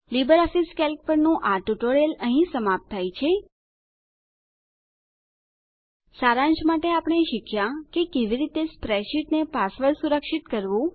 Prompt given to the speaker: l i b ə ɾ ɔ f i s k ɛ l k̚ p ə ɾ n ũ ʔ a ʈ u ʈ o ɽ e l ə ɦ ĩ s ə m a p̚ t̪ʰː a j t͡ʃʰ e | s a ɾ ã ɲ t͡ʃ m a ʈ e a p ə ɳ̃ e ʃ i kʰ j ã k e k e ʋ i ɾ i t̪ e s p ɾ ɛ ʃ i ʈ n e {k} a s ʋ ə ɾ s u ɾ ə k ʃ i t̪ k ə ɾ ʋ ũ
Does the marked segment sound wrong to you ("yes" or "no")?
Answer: yes